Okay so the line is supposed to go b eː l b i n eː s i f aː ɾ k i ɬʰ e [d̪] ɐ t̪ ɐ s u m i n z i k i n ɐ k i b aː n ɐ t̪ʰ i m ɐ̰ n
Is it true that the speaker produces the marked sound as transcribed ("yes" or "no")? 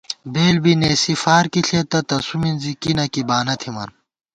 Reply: no